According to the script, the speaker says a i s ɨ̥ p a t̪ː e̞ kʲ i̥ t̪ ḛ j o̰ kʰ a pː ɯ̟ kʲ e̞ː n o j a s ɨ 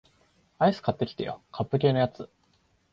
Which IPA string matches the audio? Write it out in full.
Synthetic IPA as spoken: a i s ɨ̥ k a t̪ː e̞ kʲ i̥ t̪ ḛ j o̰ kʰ a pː ɯ̟ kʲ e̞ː n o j a t͡s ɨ